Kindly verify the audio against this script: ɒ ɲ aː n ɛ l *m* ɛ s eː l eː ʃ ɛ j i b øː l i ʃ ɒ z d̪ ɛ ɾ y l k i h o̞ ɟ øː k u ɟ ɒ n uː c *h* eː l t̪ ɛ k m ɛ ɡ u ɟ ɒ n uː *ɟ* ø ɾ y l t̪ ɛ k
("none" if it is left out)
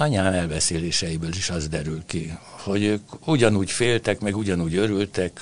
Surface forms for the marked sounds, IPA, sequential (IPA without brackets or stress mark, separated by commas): b, f, ɟ